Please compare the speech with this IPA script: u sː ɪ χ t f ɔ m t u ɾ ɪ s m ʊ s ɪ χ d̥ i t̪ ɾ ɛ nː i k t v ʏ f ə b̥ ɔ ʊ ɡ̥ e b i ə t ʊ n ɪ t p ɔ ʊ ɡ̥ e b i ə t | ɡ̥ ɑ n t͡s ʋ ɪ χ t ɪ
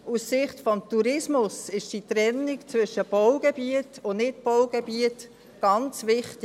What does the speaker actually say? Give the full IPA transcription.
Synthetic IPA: u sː ɪ χ t f ɔ m t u ɾ ɪ s m ʊ s ɪ ʃ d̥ i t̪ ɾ ɛ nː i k t͡s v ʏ ʃ ə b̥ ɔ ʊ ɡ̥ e b i ə t ʊ n ɪ t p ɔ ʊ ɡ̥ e b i ə t | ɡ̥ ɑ n t͡s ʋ ɪ χ t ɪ